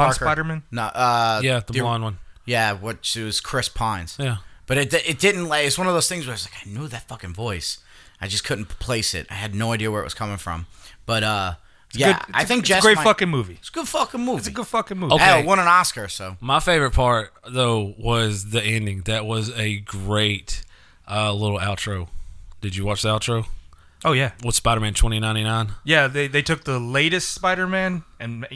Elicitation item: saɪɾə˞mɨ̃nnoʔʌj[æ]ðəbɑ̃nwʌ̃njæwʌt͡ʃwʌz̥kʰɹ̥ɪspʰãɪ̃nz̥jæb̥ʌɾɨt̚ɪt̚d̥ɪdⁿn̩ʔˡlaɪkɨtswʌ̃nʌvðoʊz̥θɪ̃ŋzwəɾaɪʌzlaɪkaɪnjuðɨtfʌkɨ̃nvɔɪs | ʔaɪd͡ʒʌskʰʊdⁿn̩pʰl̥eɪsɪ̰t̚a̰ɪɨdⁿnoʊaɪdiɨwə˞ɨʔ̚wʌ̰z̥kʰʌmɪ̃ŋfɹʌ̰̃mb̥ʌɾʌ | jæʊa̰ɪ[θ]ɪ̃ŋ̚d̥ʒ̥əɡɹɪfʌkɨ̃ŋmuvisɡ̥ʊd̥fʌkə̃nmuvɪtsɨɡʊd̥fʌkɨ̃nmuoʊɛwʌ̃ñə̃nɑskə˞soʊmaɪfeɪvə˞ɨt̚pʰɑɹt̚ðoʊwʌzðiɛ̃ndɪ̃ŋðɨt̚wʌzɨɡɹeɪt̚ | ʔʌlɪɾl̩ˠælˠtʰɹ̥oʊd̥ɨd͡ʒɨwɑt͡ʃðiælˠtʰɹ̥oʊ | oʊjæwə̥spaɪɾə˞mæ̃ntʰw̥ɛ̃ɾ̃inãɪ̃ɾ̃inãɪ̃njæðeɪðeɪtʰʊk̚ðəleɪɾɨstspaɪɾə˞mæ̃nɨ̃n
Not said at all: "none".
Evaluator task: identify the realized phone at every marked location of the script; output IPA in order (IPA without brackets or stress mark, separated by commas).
æ, θ